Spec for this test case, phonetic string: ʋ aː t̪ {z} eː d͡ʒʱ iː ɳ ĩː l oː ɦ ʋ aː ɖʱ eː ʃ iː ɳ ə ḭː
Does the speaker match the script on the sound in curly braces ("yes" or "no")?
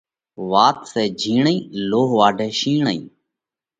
no